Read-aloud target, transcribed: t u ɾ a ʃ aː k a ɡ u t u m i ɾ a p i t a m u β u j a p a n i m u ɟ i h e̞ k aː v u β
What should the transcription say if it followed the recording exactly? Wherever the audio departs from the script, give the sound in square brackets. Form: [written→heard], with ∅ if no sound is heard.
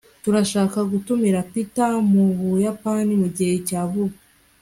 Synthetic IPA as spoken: t u ɾ a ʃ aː k a ɡ u t u m i ɾ a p i t a m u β u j a p a n i m u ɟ i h e̞ [k→c] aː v u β